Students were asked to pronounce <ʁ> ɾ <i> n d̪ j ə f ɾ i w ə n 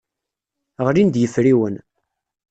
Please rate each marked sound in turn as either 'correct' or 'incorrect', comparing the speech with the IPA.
correct, correct

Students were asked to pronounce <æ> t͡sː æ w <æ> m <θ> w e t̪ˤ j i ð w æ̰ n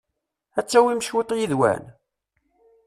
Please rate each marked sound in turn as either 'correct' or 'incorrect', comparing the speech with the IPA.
correct, incorrect: i, incorrect: ʃ

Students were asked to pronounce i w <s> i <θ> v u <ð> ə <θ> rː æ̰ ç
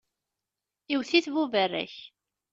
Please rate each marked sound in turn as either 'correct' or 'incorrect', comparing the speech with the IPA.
incorrect: θ, correct, incorrect: v, incorrect: none

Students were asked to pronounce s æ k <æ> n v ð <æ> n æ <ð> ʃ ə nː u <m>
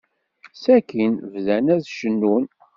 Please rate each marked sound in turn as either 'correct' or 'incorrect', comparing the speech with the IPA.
incorrect: i, correct, correct, incorrect: n

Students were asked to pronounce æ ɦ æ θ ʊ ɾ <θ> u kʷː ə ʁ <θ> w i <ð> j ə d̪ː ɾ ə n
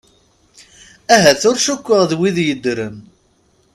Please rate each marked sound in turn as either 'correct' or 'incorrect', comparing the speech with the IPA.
incorrect: ʃ, incorrect: ð, correct

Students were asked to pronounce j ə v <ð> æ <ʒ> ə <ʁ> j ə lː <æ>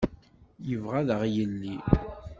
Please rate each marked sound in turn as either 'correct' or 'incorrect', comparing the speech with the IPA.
incorrect: ʁ, incorrect: ð, correct, incorrect: i

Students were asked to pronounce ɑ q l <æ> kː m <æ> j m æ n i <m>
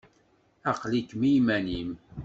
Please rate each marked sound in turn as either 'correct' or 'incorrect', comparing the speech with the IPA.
incorrect: i, incorrect: i, correct

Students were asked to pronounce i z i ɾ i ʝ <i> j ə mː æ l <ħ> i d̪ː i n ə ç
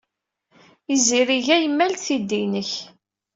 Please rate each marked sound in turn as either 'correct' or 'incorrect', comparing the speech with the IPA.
incorrect: æ, incorrect: θ

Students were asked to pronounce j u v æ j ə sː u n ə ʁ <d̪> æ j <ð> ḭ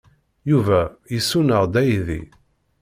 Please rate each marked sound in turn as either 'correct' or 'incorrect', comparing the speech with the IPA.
correct, correct

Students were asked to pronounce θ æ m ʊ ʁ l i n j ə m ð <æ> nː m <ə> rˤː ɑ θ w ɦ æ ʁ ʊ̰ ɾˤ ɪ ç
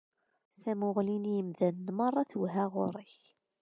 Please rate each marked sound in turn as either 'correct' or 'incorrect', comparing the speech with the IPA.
correct, incorrect: ɑ

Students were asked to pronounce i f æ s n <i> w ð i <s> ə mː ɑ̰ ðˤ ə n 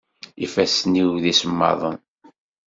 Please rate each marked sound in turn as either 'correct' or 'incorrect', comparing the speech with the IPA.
correct, correct

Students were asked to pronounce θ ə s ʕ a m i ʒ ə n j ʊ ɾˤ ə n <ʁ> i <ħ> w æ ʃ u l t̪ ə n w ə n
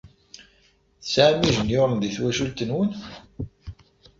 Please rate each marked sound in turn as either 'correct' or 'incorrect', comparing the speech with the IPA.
incorrect: ð, incorrect: θ

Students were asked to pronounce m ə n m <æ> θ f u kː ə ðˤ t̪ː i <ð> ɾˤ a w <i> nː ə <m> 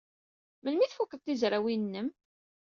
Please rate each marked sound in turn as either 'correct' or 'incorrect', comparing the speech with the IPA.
incorrect: i, incorrect: z, correct, correct

